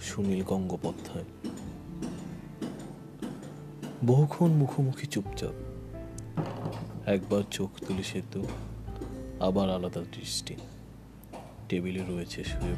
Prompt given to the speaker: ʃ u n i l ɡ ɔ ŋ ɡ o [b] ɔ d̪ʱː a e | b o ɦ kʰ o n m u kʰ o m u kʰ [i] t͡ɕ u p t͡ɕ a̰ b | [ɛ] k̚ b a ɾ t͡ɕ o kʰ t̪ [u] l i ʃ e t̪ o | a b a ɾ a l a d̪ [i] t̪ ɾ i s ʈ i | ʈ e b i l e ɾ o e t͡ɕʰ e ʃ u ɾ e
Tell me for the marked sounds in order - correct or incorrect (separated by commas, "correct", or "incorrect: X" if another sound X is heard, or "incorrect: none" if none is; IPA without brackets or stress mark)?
incorrect: p, correct, correct, correct, incorrect: a